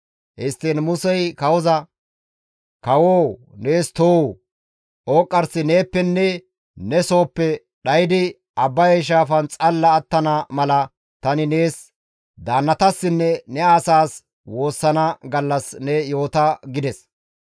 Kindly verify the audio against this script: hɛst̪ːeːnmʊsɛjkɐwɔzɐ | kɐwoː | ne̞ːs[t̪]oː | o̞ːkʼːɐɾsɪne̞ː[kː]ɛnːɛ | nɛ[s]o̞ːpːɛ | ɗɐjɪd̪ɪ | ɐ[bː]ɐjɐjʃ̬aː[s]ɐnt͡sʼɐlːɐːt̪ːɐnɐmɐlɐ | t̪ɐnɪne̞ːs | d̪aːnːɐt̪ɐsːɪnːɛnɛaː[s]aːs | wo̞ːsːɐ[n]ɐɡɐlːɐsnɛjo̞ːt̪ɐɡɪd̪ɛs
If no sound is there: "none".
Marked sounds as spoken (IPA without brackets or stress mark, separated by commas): t̪, pː, s, bː, f, s, n